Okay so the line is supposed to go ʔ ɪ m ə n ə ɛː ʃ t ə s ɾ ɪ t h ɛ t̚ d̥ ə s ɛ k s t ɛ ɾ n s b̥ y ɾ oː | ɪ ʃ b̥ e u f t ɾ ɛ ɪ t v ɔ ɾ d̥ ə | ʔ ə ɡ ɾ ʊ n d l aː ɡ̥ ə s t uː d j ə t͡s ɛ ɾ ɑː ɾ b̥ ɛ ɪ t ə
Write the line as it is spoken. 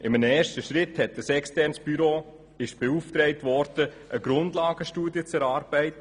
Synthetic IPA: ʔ ɪ m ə n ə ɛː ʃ t ə ʃ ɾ ɪ t h ɛ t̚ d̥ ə s ɛ k s t ɛ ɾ n s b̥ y ɾ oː | ɪ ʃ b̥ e u f t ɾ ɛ ɪ t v ɔ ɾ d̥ ə | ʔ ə ɡ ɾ ʊ n d l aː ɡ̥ ə ʃ t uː d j ə t͡s ɛ ɾ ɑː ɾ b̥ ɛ ɪ t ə